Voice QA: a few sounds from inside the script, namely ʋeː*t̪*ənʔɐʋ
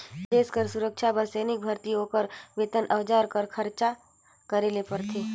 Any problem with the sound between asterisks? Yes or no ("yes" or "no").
no